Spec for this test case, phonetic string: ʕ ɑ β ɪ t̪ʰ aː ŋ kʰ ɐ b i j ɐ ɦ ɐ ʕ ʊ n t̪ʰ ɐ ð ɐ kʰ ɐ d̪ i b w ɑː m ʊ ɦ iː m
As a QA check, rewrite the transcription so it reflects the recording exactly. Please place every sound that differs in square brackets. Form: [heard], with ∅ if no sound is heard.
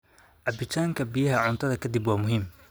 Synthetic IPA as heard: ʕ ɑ [b] ɪ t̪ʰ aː ŋ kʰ ɐ b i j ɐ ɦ ɐ ʕ ʊ n t̪ʰ ɐ ð ɐ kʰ ɐ d̪ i b w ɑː m ʊ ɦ iː m